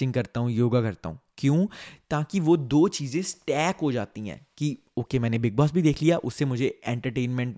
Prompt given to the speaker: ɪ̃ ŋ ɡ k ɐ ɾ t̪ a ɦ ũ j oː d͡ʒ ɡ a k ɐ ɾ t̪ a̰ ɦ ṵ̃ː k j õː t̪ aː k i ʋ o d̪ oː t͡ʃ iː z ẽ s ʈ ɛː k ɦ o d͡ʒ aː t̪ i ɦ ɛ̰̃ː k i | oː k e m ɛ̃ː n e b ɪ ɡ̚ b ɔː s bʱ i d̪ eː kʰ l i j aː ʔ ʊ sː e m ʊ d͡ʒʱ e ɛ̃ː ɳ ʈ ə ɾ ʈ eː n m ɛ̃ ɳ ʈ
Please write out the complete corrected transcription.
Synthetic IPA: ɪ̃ ŋ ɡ k ɐ ɾ t̪ a ɦ ũ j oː ɡ a k ɐ ɾ t̪ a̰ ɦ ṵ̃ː k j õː t̪ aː k i ʋ o d̪ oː t͡ʃ iː z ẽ s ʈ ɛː k ɦ o d͡ʒ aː t̪ i ɦ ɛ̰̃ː k i | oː k e m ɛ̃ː n e b ɪ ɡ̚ b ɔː s bʱ i d̪ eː kʰ l i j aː ʔ ʊ sː e m ʊ d͡ʒʱ e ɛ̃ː ɳ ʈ ə ɾ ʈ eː n m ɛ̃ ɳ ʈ